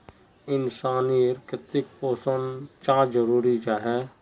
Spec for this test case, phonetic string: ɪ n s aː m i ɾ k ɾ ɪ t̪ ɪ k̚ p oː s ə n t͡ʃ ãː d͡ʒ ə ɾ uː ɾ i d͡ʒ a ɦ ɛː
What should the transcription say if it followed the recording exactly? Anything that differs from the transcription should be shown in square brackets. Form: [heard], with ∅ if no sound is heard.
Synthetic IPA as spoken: ɪ n s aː [n] i ɾ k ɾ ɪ t̪ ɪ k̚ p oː s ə n t͡ʃ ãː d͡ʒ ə ɾ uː ɾ i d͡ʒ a ɦ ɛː